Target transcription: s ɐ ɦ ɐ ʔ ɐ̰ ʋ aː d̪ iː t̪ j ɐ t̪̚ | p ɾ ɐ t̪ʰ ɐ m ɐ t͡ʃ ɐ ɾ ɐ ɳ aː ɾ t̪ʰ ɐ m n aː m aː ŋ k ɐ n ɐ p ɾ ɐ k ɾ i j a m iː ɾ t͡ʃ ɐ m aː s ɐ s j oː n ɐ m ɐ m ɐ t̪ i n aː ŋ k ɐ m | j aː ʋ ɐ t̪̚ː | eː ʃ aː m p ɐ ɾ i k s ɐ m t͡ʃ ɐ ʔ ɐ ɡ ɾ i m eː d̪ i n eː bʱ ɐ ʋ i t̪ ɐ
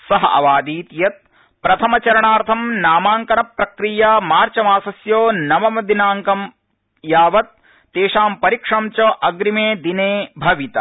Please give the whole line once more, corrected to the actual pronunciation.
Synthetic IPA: s ɐ ɦ ɐ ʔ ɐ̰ ʋ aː d̪ iː t̪ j ɐ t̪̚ | p ɾ ɐ t̪ʰ ɐ m ɐ t͡ʃ ɐ ɾ ɐ ɳ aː ɾ t̪ʰ ɐ m n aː m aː ŋ k ɐ n ɐ p ɾ ɐ k ɾ i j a m aː ɾ t͡ʃ ɐ m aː s ɐ s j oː n ɐ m ɐ m ɐ d̪ i n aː ŋ k ɐ m | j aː ʋ ɐ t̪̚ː | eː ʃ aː m p ɐ ɾ i k ʂ ɐ m t͡ʃ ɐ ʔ ɐ ɡ ɾ i m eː d̪ i n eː bʱ ɐ ʋ i t̪ ɐ

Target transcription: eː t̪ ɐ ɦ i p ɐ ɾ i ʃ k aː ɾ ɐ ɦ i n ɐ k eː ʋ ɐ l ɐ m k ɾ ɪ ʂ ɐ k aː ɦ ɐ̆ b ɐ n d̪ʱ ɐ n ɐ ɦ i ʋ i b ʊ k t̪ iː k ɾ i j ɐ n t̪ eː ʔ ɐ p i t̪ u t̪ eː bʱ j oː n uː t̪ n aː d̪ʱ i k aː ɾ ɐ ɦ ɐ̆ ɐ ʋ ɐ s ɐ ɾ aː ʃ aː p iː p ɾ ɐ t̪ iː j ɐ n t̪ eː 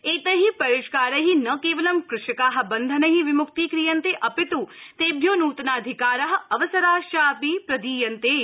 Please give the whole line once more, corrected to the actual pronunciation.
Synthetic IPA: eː t̪ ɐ ɦ i p ɐ ɾ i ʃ k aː ɾ ɐ ɦ i n ɐ k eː ʋ ɐ l ɐ m k ɾ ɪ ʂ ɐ k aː ɦ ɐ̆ b ɐ n d̪ʱ ɐ n ɐ ɦ i ʋ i m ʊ k t̪ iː k ɾ i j ɐ n t̪ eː ʔ ɐ p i t̪ u t̪ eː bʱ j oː n uː t̪ n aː d̪ʱ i k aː ɾ ɐ ɦ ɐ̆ ɐ ʋ ɐ s ɐ ɾ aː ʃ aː p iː p ɾ ɐ d̪ iː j ɐ n t̪ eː

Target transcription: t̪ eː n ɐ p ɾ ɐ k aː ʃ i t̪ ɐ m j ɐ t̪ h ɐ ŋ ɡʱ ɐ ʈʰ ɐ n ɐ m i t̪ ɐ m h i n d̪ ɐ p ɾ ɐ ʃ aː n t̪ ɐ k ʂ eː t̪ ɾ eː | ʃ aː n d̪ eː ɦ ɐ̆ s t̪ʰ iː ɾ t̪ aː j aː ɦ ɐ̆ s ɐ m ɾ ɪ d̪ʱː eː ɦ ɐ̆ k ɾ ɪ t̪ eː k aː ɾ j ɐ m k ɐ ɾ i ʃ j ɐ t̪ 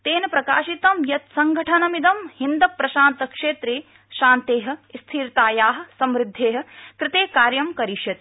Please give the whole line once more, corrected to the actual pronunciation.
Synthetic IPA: t̪ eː n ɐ p ɾ ɐ k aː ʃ i t̪ ɐ m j ɐ t̪ s ɐ ŋ ɡʱ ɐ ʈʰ ɐ n ɐ m i d̪ ɐ m h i n d̪ ɐ p ɾ ɐ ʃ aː n t̪ ɐ k ʂ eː t̪ ɾ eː | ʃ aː n t̪ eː ɦ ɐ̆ s t̪ʰ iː ɾ t̪ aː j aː ɦ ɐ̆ s ɐ m ɾ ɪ d̪ʱː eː ɦ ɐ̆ k ɾ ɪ t̪ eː k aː ɾ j ɐ m k ɐ ɾ i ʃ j ɐ t̪

